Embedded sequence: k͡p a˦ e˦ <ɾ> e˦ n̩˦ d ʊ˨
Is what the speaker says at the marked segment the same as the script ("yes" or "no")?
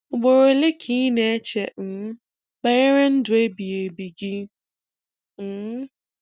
yes